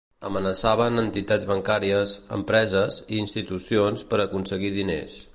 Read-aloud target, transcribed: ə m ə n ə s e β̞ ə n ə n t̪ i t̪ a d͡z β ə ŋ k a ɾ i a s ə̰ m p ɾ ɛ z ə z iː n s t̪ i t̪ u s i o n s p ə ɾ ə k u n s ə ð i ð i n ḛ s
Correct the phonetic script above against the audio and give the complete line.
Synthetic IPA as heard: ə m ə n ə s a β̞ ə n ə n t̪ i t̪ a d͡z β ə ŋ k a ɾ i ə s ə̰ m p ɾ ɛ z ə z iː n s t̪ i t̪ u s i o n s p ə ɾ ə k u n s ə ɣ i ð i n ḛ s